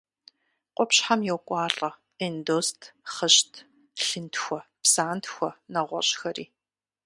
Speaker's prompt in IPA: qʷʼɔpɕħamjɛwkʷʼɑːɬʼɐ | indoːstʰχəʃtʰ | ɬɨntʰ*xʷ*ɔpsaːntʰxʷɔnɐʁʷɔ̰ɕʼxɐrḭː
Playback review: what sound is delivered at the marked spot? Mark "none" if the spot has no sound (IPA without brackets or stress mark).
xʷ